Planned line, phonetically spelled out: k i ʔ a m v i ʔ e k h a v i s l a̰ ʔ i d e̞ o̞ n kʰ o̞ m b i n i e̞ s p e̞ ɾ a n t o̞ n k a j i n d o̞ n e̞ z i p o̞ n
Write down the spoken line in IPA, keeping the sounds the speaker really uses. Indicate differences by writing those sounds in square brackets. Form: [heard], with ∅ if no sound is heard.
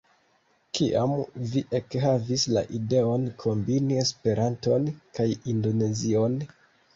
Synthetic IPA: k i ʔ a m v i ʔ e k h a v i s l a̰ ʔ i d e̞ o̞ n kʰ o̞ m b i n i e̞ s p e̞ ɾ a n t o̞ n k a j i n d o̞ n e̞ z i [∅] o̞ n